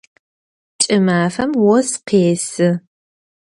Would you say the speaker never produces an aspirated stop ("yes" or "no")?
yes